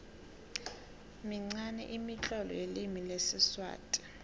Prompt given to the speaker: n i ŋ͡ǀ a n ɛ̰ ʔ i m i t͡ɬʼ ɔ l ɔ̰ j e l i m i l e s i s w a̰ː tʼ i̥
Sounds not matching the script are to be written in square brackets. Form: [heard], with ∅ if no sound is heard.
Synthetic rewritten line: [m] i ŋ͡ǀ a n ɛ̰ ʔ i m i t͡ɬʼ ɔ l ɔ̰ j e l i m i l e s i s w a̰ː tʼ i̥